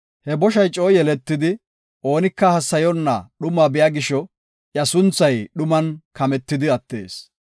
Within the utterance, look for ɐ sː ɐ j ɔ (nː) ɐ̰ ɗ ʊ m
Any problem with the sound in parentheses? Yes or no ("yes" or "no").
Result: no